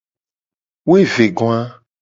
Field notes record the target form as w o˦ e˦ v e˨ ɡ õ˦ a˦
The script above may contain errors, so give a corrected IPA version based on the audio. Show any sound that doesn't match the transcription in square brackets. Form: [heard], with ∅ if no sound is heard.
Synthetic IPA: w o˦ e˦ v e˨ ɡ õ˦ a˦